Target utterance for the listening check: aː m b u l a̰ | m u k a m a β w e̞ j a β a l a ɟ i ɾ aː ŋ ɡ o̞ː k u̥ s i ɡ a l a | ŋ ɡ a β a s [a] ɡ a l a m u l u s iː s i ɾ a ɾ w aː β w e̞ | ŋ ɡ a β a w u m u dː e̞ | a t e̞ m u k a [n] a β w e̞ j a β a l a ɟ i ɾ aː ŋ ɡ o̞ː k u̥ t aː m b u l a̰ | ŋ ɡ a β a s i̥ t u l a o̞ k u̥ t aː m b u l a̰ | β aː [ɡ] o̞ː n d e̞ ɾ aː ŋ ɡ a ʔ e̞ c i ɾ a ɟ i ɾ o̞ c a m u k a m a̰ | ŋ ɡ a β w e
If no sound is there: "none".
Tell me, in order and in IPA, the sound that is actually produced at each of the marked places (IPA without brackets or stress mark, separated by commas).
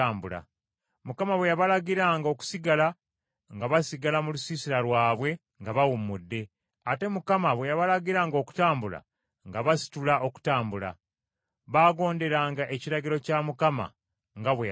i, m, ɡ